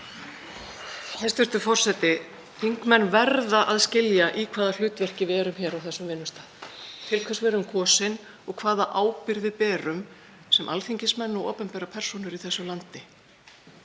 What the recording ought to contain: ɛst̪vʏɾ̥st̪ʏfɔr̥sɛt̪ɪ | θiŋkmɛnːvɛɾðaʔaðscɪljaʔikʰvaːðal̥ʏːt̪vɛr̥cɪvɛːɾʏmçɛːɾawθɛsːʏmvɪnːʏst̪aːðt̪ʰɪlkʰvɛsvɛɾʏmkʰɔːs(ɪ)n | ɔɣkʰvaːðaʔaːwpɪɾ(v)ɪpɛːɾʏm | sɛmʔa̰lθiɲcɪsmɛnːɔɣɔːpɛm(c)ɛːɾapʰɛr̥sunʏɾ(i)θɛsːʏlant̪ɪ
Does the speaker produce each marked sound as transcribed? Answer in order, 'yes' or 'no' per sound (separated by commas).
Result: yes, no, no, yes